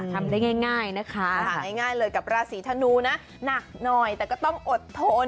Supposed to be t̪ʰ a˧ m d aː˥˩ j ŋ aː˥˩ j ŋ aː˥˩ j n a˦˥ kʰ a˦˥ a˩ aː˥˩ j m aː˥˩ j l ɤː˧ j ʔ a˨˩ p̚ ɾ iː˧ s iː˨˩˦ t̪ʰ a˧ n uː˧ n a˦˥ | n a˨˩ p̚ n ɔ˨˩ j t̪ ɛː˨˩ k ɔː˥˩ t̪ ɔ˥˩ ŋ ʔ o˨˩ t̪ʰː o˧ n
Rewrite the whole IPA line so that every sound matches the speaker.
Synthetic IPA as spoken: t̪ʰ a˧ m d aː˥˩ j ŋ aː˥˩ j ŋ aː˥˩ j n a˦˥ kʰ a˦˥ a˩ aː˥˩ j ŋ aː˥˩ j l ɤː˧ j k a˨˩ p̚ ɾ aː˧ s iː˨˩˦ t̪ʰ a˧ n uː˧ n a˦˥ | n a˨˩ k̚ n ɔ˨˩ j t̪ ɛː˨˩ k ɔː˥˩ t̪ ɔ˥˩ ŋ ʔ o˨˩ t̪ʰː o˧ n